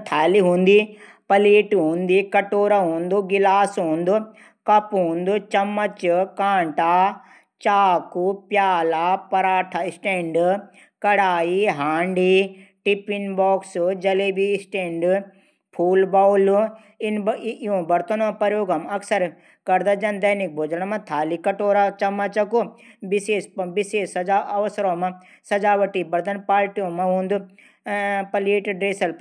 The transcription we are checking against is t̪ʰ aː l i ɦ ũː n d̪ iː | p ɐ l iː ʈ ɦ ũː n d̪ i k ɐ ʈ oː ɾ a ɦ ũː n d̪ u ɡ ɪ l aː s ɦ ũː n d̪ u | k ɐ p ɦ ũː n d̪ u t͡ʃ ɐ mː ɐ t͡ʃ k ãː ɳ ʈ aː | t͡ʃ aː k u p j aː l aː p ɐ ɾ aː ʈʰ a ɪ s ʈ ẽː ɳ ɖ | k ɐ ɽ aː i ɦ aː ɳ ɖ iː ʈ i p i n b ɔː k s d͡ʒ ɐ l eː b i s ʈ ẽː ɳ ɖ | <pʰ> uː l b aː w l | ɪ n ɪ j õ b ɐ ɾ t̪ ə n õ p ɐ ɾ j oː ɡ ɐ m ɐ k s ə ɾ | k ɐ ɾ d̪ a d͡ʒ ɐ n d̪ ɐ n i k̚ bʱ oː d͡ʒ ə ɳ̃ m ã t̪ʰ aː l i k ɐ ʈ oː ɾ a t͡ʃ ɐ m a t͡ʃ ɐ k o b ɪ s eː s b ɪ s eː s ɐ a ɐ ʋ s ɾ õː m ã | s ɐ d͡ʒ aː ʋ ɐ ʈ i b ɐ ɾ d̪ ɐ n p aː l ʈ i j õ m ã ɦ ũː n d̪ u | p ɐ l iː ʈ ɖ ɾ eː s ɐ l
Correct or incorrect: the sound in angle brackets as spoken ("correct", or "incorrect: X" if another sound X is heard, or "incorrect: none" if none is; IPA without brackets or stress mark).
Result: correct